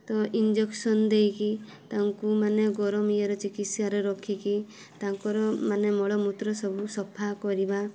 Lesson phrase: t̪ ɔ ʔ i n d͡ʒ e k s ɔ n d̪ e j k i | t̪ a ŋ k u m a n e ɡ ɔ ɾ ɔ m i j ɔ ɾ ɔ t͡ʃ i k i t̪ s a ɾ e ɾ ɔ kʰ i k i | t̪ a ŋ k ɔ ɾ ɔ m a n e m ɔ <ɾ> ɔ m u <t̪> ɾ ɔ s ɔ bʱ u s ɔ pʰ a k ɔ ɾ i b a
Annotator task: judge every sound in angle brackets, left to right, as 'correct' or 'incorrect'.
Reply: incorrect: ɭ, correct

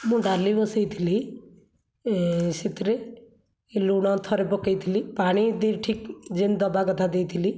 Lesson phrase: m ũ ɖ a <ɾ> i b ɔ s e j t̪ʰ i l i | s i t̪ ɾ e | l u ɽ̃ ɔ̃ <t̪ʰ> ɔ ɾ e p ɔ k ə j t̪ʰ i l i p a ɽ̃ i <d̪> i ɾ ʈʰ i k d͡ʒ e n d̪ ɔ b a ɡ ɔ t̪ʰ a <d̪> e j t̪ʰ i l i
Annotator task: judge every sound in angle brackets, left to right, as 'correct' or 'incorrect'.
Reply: incorrect: l, correct, correct, correct

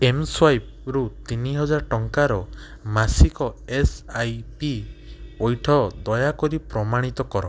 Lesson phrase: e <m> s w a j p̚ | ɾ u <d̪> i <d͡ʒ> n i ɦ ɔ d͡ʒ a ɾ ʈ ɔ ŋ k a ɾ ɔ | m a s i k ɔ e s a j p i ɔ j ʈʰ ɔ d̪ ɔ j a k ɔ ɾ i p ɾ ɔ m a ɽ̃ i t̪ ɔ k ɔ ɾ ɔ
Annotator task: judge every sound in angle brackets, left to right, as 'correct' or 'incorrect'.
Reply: correct, incorrect: t̪, incorrect: none

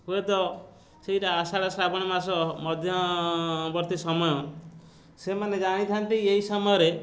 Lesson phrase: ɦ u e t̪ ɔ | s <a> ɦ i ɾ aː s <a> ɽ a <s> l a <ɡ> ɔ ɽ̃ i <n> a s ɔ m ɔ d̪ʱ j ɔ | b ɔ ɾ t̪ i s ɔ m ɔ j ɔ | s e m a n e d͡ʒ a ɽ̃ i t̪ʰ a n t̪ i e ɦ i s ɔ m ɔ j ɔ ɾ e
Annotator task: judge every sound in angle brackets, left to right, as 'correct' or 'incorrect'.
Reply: incorrect: e, correct, correct, incorrect: b, incorrect: m

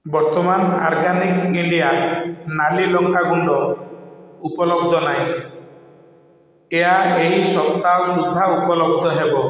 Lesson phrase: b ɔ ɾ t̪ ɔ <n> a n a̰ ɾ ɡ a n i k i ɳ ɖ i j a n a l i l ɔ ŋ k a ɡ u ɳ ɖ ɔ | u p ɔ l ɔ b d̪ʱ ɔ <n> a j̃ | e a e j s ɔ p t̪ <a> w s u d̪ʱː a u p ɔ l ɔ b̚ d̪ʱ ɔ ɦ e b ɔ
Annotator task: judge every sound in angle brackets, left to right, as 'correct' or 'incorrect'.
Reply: incorrect: m, correct, correct

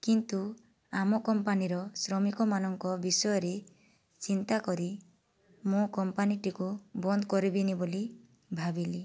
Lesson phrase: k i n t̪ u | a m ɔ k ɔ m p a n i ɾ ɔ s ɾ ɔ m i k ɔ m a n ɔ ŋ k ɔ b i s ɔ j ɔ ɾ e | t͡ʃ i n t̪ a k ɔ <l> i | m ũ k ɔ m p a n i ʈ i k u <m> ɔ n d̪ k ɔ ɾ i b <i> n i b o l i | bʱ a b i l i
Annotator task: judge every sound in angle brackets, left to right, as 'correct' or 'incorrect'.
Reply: incorrect: ɾ, incorrect: b, correct

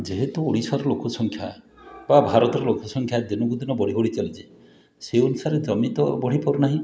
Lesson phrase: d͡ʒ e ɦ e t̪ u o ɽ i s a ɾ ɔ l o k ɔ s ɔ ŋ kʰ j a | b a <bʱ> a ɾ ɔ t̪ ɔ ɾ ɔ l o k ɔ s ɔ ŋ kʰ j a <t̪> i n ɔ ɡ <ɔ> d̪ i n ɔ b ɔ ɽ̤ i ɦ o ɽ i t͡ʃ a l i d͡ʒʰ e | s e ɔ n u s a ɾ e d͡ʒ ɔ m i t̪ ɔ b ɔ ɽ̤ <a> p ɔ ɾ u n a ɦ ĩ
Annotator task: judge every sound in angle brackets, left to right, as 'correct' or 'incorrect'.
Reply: correct, incorrect: d̪, incorrect: u, incorrect: i

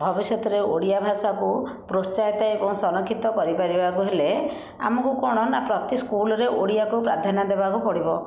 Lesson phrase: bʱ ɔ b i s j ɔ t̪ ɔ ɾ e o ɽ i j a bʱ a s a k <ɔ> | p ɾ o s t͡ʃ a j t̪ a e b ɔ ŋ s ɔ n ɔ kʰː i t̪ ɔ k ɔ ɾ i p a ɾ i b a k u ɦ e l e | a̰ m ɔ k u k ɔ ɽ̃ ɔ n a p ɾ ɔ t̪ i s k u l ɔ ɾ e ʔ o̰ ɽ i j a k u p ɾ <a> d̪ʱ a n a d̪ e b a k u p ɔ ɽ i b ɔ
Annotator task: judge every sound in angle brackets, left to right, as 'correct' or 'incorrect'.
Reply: incorrect: u, correct

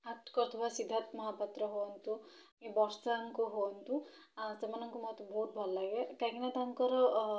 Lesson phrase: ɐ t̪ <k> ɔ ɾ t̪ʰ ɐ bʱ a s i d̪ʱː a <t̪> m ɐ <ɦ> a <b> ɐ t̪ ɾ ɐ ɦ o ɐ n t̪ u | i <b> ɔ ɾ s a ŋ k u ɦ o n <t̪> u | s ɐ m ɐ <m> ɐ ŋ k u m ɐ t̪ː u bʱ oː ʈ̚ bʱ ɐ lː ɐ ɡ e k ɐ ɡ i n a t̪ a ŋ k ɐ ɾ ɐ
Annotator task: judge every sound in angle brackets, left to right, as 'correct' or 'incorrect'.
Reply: correct, correct, correct, incorrect: p, correct, correct, incorrect: n

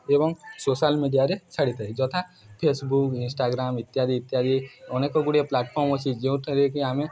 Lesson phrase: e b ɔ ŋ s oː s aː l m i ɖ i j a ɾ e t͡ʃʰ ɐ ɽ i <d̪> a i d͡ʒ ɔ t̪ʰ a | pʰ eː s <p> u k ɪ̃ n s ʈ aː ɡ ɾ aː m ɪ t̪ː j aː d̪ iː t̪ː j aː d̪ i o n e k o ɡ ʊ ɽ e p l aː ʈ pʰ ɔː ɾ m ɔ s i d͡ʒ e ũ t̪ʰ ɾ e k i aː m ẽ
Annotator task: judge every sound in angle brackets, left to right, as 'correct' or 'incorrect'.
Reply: incorrect: t̪, incorrect: b

